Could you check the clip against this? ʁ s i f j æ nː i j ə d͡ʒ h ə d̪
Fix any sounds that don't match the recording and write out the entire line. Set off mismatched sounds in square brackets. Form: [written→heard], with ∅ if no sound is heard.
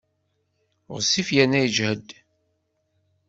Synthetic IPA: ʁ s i f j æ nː [i→æ] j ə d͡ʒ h ə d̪